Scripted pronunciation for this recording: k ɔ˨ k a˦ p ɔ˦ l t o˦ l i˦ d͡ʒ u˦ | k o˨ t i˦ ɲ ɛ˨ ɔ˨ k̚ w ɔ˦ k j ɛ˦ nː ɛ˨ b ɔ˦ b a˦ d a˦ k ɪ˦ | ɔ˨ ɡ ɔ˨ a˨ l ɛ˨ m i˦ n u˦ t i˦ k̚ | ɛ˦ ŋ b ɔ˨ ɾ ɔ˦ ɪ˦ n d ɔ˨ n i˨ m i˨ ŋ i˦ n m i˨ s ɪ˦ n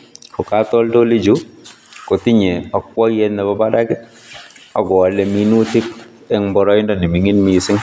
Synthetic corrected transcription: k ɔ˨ k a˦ t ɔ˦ l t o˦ l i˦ d͡ʒ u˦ | k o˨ t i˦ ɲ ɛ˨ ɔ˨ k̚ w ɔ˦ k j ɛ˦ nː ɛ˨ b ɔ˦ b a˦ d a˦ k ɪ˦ | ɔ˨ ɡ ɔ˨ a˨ l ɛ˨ m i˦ n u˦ t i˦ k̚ | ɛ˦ ŋ b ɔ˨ ɾ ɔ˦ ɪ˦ n d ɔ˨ n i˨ m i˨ ŋ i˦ n m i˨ s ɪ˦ ŋ